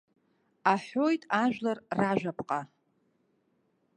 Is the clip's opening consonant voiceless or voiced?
voiceless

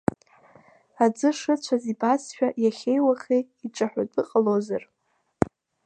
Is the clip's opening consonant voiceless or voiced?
voiced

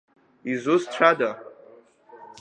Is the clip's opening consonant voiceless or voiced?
voiced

